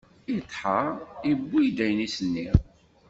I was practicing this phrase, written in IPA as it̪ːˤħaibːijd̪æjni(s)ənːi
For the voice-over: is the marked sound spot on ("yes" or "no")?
yes